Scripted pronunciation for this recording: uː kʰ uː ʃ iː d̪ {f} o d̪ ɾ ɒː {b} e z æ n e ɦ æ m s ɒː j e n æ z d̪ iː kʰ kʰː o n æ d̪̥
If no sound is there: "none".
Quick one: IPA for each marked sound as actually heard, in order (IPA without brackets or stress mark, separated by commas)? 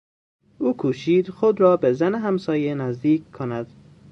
x, b